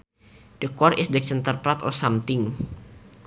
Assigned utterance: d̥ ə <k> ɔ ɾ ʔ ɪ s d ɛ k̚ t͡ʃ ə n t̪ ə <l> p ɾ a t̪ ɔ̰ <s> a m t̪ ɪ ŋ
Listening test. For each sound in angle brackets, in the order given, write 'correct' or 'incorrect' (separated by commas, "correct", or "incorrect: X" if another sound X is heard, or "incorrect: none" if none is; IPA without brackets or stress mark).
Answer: correct, incorrect: r, correct